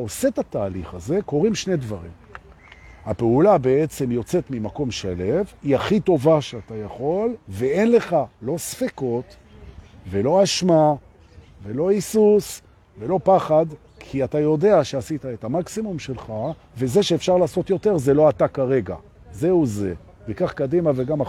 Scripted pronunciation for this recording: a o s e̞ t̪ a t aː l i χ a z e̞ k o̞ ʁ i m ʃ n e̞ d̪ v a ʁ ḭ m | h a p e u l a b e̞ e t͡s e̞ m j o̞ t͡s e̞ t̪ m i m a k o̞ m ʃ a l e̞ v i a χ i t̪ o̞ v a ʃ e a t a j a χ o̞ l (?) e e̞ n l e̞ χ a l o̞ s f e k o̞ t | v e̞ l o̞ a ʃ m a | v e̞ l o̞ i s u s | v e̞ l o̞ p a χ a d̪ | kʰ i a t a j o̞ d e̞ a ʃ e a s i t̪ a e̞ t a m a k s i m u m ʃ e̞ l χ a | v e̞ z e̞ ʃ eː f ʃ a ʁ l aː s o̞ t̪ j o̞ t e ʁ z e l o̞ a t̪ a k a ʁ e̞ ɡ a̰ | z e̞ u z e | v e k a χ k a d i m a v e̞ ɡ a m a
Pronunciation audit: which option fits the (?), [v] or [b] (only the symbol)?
v